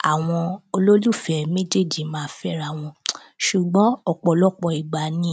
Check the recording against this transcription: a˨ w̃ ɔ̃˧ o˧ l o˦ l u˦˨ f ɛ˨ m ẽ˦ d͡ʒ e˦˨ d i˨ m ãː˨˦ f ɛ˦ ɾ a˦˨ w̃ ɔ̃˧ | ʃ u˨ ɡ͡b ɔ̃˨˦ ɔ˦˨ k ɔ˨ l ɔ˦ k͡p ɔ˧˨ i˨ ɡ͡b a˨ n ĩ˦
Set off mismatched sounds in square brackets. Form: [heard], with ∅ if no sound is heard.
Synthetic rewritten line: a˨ w̃ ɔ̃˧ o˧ l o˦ l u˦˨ f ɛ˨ m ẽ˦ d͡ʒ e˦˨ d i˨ m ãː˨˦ f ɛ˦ ɾ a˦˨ w̃ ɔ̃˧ | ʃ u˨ ɡ͡b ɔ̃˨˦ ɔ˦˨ [k͡p] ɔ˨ l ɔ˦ k͡p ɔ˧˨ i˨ ɡ͡b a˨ n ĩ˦

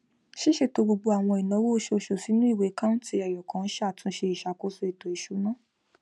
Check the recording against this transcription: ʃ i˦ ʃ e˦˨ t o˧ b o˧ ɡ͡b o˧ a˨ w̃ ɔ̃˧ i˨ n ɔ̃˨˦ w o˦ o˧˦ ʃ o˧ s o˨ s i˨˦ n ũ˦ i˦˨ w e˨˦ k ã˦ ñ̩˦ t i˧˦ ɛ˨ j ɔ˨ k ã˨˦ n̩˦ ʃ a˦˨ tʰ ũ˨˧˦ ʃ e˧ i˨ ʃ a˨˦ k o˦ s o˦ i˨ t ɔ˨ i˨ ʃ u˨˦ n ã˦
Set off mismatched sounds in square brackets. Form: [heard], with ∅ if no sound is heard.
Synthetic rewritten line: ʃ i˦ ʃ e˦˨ t o˧ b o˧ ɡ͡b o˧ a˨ w̃ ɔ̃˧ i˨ n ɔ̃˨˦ w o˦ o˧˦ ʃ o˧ [ʃ] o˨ s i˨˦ n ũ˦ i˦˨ w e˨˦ k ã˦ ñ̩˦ t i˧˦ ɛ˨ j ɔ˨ k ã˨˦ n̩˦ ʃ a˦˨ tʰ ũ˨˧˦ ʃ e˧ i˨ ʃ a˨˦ k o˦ s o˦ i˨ t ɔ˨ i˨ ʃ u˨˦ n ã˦

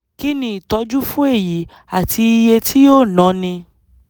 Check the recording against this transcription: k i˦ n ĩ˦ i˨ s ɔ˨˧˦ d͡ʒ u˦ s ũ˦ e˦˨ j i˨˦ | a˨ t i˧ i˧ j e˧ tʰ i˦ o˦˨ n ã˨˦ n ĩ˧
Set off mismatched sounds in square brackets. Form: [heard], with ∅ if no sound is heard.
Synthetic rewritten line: k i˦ n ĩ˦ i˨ [t] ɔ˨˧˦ d͡ʒ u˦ [f] ũ˦ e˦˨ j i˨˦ | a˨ t i˧ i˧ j e˧ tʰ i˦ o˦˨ n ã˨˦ n ĩ˧

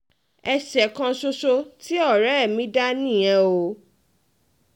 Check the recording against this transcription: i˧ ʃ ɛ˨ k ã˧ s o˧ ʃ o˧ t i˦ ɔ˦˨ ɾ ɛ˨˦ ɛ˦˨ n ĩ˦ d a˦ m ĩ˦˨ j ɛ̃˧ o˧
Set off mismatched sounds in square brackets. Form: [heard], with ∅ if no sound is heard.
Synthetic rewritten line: [ɛ˧] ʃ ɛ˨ k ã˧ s o˧ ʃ o˧ t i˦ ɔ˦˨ ɾ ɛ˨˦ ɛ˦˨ [m] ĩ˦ d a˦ [n] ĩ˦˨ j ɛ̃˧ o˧

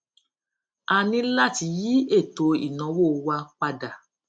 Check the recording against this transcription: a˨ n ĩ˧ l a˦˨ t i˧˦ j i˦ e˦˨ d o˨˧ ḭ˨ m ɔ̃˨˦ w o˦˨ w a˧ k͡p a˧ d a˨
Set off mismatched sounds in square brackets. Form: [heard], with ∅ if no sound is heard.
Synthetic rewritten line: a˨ n ĩ˧ l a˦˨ t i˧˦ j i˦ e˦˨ [t] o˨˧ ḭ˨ [n] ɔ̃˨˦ w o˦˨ w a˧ k͡p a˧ d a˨

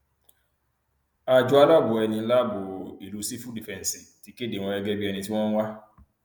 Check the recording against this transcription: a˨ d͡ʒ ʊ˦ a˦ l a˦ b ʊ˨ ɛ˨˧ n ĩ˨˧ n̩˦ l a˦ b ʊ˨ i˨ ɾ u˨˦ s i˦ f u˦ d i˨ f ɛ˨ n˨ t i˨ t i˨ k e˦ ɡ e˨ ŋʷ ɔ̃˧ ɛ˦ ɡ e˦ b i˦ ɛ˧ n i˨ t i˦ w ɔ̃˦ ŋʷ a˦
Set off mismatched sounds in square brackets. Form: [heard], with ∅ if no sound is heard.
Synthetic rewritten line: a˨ d͡ʒ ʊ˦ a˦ l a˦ b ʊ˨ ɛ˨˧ n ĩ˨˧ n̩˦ l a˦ b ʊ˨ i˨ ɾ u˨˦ s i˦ f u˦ d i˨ f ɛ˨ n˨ [s] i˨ t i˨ k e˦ [d] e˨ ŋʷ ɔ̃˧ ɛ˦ ɡ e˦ b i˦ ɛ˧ n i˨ t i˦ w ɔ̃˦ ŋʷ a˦

